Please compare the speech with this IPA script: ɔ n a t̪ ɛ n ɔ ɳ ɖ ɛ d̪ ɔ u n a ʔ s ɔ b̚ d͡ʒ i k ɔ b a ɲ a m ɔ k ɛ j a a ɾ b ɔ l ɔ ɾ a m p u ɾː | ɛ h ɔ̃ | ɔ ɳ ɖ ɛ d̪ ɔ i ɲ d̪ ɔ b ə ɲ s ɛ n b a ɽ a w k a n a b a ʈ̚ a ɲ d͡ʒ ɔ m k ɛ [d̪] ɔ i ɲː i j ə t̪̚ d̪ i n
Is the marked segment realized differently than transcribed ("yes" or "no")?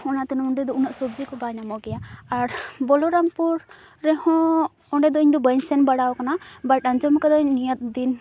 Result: no